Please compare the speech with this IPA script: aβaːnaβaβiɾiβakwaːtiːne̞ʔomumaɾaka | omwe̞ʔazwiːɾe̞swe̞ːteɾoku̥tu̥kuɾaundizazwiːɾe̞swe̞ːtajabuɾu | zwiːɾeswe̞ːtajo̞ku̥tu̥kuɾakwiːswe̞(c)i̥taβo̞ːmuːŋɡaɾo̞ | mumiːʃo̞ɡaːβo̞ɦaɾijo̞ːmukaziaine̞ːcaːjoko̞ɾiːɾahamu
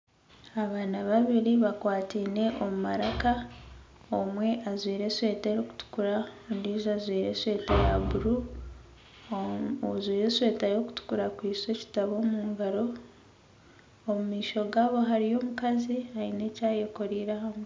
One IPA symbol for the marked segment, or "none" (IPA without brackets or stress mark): c